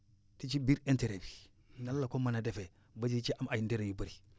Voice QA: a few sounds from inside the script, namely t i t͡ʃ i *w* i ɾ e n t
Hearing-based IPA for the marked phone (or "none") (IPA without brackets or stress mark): b